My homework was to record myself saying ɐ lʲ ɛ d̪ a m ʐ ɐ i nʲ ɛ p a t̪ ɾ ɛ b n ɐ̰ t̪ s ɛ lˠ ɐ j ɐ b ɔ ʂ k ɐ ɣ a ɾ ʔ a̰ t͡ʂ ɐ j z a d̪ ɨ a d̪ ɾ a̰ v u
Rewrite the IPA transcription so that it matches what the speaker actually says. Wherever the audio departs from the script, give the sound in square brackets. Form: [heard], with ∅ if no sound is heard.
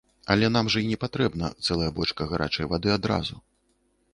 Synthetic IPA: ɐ lʲ ɛ [n̪] a m ʐ ɐ i nʲ ɛ p a t̪ ɾ ɛ b n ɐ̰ t̪ s ɛ lˠ ɐ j ɐ b ɔ [t͡ʂ] k ɐ ɣ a ɾ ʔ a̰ t͡ʂ ɐ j [v] a d̪ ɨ a d̪ ɾ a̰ [z] u